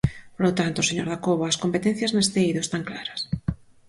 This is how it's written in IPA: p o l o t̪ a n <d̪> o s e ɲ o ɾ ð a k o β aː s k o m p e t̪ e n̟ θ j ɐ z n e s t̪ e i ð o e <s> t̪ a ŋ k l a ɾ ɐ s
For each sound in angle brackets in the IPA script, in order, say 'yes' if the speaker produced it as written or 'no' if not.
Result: no, yes

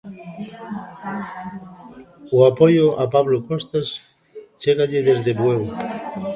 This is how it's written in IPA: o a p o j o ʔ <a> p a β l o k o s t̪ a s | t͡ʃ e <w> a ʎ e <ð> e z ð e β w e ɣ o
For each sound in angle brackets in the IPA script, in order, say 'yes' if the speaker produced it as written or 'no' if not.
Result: yes, no, yes

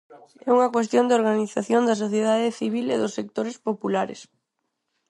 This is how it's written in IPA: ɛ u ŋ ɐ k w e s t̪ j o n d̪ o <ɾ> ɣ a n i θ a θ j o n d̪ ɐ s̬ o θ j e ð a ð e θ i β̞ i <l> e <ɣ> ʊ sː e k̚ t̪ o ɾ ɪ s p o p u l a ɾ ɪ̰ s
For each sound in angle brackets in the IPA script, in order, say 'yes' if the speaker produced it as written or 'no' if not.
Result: yes, yes, no

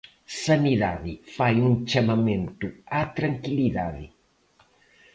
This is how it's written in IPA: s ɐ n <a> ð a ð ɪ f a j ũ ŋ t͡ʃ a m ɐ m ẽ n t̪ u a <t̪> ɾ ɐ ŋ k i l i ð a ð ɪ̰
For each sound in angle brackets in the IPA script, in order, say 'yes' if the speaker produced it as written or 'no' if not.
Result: no, yes

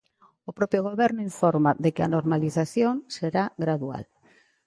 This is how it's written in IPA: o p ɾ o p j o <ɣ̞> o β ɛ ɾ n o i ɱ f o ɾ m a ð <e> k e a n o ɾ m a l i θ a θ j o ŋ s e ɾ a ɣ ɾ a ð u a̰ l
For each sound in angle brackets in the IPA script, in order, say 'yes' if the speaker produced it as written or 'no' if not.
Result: yes, yes

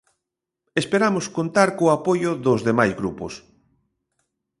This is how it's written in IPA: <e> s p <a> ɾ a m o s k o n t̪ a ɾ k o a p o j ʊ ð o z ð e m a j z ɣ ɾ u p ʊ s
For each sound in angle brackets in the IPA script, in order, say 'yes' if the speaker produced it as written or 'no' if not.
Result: yes, no

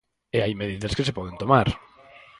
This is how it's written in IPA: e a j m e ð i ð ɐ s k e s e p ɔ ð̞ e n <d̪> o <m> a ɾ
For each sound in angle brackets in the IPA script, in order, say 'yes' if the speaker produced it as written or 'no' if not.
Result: no, yes

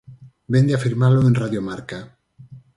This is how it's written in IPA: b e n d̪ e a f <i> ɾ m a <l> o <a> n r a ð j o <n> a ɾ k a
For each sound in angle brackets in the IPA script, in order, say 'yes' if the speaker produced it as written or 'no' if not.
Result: yes, yes, no, no

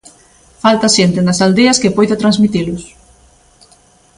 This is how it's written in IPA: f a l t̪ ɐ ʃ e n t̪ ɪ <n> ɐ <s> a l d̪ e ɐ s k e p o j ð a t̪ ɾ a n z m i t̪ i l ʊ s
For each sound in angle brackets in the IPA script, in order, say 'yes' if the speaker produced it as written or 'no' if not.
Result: yes, yes

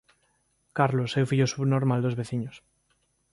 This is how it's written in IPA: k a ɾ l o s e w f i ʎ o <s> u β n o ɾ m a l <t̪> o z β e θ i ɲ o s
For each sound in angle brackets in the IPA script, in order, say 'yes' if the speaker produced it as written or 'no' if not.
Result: yes, no

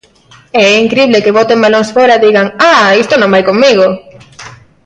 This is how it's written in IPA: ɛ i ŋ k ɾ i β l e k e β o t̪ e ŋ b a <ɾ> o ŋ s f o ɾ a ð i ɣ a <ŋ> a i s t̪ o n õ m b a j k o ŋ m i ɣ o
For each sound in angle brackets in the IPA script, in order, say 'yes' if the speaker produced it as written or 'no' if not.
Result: no, yes

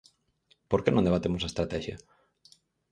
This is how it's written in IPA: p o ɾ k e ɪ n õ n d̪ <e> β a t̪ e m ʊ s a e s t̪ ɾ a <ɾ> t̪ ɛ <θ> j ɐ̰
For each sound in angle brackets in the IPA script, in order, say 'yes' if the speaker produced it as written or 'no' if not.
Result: yes, no, no

